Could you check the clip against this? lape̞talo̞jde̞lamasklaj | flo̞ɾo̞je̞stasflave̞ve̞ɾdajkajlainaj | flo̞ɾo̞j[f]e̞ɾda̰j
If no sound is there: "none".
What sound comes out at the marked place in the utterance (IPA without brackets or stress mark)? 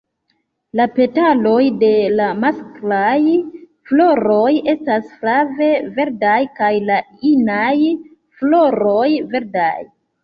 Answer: v